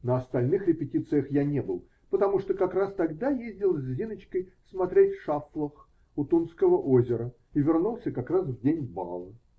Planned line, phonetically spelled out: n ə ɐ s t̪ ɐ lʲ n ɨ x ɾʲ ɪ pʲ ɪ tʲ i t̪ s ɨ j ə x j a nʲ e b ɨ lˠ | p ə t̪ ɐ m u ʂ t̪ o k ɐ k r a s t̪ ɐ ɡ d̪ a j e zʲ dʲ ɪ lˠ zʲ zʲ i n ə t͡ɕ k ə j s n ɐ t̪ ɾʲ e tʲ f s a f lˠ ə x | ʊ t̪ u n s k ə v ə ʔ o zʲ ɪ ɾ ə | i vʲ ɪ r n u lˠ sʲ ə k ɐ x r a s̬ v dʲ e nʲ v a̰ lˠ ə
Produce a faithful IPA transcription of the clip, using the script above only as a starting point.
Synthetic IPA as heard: n ə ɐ s t̪ ɐ lʲ n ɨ x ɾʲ ɪ pʲ ɪ tʲ i t̪ s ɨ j ə x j a nʲ e b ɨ lˠ | p ə t̪ ɐ m u ʂ t̪ o k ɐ k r a s t̪ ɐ ɡ d̪ a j e zʲ dʲ ɪ lˠ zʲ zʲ i n ə t͡ɕ k ə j s m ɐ t̪ ɾʲ e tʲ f ʂ a f lˠ ə x | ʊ t̪ u n s k ə v ə ʔ o zʲ ɪ ɾ ə | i vʲ ɪ r n u lˠ sʲ ə k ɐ k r a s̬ v dʲ e nʲ b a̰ lˠ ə